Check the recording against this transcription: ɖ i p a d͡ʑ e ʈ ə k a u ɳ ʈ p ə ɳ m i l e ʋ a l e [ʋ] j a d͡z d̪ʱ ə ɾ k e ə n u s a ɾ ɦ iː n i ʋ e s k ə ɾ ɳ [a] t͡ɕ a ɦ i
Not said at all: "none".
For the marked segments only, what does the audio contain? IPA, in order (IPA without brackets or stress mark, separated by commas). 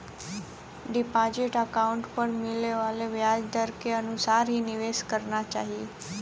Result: ʋ, a